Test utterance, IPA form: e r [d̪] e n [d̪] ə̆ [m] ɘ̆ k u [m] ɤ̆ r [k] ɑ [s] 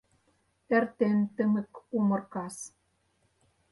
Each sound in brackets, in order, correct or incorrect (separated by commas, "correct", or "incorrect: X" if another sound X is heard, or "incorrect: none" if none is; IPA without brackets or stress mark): incorrect: t̪, incorrect: t̪, correct, correct, correct, correct